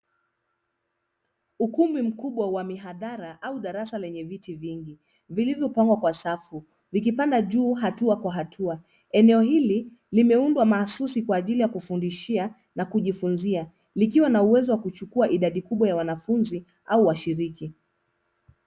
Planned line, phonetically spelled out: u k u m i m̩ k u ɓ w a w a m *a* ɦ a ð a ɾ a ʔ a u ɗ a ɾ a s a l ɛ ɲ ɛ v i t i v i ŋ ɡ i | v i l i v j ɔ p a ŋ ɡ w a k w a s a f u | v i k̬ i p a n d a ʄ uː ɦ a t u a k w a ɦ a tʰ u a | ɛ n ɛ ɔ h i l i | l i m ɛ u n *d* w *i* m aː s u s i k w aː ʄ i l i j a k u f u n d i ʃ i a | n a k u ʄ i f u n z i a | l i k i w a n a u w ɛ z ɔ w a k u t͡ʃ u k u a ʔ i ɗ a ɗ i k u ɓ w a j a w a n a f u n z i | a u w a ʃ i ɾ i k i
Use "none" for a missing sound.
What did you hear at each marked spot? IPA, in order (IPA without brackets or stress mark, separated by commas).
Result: i, d, a